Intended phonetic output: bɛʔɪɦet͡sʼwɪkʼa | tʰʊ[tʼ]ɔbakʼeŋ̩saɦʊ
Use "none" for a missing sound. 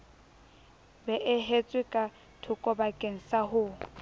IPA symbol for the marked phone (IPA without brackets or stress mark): kʼ